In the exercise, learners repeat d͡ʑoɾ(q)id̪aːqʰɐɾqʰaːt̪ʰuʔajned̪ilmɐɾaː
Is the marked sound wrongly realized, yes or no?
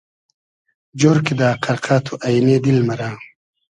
yes